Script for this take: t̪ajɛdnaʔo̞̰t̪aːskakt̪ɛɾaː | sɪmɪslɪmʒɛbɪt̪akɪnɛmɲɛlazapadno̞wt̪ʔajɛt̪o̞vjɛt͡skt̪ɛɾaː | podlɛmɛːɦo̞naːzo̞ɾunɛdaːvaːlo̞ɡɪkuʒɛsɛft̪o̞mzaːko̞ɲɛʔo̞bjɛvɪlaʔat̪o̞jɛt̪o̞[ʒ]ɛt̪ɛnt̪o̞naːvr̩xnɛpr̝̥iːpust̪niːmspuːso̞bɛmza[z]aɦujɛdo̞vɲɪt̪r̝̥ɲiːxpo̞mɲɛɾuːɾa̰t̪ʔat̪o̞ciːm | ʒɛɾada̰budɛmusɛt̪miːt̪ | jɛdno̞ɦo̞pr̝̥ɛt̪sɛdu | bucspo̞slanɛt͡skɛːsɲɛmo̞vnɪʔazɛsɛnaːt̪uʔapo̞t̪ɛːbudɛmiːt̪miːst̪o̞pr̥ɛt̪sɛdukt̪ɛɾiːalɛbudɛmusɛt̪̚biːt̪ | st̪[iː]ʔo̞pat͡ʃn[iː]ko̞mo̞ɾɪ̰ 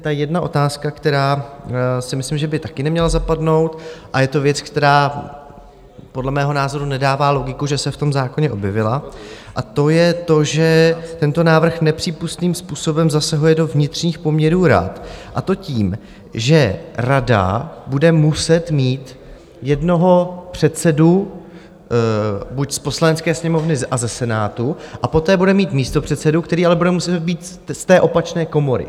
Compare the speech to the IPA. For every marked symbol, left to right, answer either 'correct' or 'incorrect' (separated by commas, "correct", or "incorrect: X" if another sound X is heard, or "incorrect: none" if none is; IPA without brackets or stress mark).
correct, incorrect: s, incorrect: ɛː, incorrect: ɛː